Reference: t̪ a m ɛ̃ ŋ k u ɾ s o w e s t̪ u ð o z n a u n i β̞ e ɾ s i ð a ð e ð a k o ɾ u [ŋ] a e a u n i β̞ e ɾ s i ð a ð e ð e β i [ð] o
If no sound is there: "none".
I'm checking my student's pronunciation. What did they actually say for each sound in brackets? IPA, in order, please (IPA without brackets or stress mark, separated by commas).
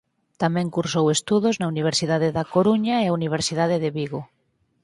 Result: ɲ, ɣ